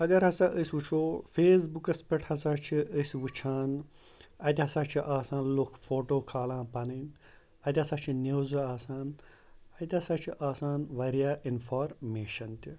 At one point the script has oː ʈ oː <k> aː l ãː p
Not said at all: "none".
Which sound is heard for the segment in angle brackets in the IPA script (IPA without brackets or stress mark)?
kʰ